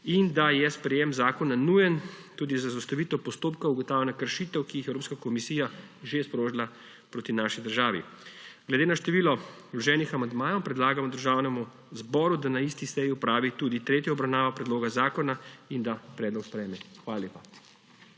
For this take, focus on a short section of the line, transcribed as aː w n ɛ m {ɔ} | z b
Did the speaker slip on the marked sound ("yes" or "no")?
yes